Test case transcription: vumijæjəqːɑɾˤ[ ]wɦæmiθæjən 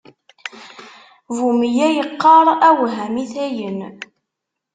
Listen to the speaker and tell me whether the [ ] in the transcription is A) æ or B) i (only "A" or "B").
A